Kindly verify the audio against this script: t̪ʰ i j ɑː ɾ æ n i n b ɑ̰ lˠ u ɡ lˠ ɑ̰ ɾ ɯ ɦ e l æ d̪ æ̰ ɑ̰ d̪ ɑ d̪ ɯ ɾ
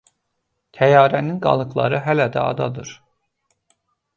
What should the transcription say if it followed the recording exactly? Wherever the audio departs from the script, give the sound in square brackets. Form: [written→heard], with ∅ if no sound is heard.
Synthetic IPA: t̪ʰ [i→æ] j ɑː ɾ æ n i n [b→ɡ] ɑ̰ lˠ [u→ɯ] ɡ lˠ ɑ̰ ɾ ɯ ɦ [e→æ] l æ d̪ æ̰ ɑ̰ d̪ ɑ d̪ ɯ ɾ